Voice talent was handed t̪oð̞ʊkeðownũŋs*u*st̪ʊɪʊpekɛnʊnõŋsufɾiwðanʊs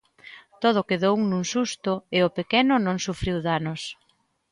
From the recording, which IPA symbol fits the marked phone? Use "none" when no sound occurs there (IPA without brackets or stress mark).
u